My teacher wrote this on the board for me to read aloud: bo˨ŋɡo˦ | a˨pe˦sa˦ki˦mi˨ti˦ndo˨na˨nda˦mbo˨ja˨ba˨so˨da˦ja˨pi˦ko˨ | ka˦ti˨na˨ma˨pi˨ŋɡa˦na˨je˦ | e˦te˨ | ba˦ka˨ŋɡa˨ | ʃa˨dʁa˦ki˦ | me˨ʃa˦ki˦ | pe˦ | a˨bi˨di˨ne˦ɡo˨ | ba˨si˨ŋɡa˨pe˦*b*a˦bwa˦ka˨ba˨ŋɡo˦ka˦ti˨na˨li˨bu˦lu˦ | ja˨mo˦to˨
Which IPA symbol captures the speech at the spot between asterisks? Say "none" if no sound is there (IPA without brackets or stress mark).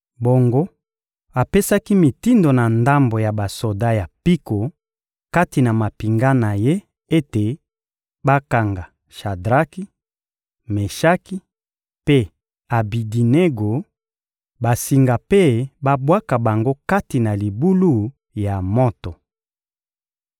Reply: b